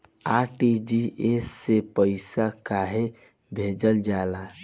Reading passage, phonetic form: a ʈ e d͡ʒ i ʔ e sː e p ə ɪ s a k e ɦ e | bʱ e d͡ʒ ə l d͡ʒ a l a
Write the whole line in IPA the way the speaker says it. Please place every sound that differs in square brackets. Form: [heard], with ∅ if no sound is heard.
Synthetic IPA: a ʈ [i] d͡ʒ i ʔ e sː e p ə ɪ s a k [a] ɦ e | bʱ e d͡ʒ ə l d͡ʒ a l a